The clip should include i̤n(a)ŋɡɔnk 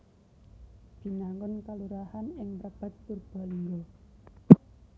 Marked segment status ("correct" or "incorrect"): correct